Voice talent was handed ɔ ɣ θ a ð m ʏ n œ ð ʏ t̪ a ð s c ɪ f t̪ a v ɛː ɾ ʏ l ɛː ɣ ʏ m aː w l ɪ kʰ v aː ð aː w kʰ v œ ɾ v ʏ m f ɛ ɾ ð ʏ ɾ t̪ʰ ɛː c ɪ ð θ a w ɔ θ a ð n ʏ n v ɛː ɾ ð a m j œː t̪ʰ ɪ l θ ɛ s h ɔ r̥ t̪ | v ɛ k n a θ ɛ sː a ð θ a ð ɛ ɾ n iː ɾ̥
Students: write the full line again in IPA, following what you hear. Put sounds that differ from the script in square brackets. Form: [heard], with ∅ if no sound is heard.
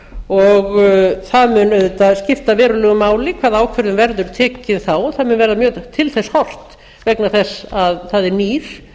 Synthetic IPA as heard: ɔ ɣ θ a ð m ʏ n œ ð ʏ t̪ a ð s c ɪ f t̪ a v ɛː ɾ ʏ l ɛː ɣ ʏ m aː w l ɪ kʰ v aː ð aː w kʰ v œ ɾ [ð] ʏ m [v] ɛ ɾ ð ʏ ɾ t̪ʰ ɛː c ɪ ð θ a w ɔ θ a ð [m] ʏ n v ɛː ɾ ð a m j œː t̪ʰ ɪ l θ ɛ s h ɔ r̥ t̪ | v ɛ k n a θ ɛ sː a ð θ a ð ɛ ɾ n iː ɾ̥